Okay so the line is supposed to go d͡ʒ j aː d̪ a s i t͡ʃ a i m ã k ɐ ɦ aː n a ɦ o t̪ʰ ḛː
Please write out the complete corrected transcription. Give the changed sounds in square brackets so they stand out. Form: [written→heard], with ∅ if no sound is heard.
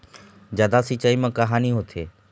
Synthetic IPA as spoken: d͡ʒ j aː d̪ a s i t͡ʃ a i m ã k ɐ ɦ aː n [a→i] ɦ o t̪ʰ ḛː

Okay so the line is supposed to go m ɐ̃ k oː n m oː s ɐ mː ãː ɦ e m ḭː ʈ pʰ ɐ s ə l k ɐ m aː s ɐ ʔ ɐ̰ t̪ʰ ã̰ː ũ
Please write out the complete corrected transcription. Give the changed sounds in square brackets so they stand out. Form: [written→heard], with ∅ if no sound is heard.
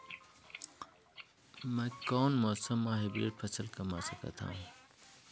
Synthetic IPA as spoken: m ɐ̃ k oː n m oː s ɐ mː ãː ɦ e [m→b] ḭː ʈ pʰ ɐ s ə l k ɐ m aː s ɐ [ʔ→k] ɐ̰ t̪ʰ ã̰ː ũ

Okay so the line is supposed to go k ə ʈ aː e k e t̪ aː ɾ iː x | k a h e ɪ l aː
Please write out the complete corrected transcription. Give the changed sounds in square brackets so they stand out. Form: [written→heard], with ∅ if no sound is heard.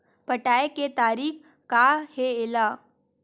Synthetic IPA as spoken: [k→p] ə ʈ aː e k e t̪ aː ɾ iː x | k a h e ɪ l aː

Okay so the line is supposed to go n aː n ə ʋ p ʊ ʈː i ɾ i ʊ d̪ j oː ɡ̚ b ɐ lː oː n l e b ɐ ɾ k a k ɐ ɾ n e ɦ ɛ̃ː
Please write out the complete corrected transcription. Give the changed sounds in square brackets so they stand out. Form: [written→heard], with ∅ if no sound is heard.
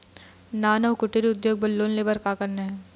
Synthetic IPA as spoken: n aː n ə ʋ [p→k] ʊ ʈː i ɾ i ʊ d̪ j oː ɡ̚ b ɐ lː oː n l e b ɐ ɾ k a k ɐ ɾ n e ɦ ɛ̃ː

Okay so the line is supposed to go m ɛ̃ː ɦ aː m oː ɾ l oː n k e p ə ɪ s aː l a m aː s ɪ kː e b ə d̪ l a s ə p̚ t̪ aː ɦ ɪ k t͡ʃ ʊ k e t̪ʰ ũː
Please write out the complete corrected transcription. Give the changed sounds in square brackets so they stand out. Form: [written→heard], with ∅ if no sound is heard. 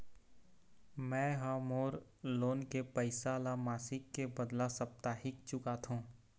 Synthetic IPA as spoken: m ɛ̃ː ɦ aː m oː ɾ l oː n k e p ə ɪ s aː l a m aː s ɪ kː e b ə d̪ l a s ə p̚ t̪ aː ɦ ɪ k t͡ʃ ʊ k [e→a] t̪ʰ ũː

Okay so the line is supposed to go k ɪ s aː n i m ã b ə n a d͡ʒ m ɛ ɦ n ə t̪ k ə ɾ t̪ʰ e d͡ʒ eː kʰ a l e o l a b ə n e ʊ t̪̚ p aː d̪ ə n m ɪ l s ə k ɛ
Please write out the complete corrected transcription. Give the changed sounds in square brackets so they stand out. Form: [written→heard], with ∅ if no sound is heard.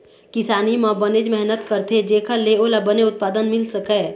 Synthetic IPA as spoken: k ɪ s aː n i m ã b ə n [a→e] d͡ʒ m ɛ ɦ n ə t̪ k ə ɾ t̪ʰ e d͡ʒ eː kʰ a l e o l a b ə n e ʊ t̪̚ p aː d̪ ə n m ɪ l s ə k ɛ

